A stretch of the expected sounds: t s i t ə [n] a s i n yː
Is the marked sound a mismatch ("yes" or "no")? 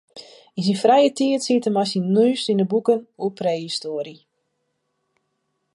yes